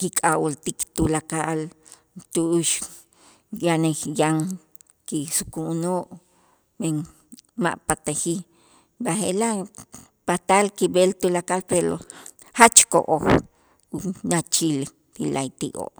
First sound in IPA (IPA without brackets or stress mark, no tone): k